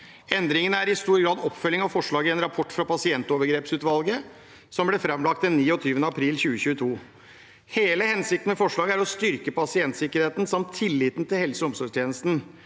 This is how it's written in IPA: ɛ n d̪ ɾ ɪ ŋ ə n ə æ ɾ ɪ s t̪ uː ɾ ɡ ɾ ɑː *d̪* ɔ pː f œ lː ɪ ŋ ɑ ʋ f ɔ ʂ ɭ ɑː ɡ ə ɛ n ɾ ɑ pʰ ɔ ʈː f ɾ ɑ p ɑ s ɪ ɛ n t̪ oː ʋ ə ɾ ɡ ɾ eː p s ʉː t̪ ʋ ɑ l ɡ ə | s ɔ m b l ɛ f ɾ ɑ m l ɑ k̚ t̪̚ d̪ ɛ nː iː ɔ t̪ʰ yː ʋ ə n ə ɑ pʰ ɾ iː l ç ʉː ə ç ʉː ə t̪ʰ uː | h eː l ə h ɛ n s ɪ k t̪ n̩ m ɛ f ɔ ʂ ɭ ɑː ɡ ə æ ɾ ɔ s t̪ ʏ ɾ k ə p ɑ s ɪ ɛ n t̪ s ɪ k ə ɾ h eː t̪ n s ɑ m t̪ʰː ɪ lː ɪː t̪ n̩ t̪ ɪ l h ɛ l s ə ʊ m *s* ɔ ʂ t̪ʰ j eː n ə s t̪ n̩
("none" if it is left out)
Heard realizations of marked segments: d̪, s

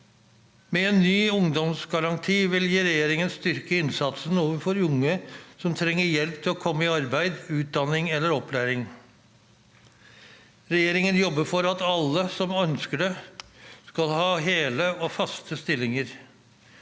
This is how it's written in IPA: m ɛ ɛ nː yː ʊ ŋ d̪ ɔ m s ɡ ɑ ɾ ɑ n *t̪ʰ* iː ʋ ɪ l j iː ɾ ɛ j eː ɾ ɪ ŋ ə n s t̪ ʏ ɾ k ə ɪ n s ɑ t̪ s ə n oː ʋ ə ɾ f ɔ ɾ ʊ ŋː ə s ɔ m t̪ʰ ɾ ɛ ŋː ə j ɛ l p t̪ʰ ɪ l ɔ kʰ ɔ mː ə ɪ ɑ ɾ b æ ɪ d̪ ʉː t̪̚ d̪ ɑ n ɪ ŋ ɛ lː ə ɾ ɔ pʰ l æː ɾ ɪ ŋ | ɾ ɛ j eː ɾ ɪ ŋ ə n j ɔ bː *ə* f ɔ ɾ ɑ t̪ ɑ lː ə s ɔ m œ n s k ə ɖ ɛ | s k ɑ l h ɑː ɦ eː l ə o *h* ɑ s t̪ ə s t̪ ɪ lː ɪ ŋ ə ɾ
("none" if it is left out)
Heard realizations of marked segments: t̪ʰ, ə, f

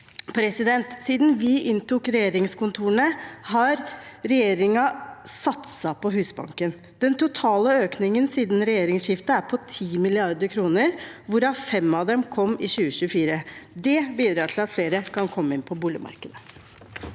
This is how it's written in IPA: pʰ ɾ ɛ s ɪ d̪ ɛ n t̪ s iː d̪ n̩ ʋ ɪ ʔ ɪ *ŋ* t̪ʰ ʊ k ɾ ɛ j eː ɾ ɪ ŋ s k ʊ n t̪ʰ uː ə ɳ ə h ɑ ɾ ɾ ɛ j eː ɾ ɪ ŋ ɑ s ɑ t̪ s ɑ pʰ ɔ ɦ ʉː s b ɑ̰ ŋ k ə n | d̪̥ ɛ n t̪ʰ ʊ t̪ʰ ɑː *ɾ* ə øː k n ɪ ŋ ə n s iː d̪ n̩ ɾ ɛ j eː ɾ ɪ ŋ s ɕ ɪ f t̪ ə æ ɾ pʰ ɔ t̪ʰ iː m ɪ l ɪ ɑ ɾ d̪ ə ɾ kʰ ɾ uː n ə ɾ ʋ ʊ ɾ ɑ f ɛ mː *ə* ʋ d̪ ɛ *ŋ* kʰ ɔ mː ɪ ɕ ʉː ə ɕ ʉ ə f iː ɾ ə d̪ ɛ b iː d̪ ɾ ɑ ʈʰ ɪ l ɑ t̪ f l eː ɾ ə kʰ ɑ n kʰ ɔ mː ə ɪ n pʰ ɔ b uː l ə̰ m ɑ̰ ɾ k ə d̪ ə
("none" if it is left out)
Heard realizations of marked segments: n, l, ɑ, m

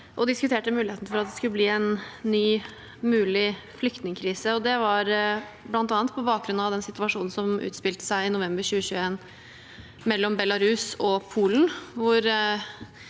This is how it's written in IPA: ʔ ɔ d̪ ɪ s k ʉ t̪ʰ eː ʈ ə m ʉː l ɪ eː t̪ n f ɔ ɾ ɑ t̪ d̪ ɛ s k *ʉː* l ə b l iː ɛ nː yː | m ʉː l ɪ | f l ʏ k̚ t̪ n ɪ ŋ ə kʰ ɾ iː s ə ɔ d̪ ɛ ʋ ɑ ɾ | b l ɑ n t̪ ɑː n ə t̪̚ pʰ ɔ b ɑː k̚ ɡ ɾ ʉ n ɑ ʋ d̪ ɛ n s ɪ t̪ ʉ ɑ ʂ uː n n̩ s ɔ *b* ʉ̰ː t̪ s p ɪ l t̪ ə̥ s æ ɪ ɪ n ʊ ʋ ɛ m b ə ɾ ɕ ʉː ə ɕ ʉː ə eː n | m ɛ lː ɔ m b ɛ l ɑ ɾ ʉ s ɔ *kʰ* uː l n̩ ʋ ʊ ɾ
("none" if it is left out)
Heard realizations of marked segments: ʉ, m, pʰ

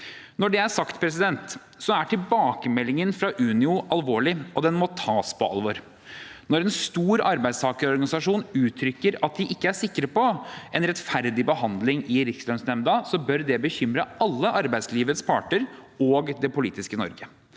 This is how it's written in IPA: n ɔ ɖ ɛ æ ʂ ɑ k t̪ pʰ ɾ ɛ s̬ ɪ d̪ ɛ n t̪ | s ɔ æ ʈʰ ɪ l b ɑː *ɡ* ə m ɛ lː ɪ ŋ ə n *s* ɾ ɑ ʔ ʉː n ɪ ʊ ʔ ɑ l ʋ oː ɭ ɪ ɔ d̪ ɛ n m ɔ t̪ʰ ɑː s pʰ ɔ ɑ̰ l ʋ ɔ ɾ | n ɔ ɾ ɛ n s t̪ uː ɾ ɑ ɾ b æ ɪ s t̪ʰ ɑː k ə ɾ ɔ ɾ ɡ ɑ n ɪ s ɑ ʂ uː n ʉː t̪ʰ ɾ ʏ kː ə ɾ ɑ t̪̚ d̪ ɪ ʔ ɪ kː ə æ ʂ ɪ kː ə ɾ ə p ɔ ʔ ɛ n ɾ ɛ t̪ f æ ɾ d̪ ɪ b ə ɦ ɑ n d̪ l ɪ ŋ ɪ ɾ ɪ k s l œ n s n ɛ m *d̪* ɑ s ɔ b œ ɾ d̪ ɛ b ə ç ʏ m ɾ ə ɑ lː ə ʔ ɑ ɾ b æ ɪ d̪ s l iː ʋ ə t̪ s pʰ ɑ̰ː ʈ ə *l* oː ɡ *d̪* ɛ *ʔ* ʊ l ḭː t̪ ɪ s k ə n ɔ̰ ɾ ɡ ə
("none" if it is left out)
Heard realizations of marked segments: k, f, d̪, ɾ, d̪, p

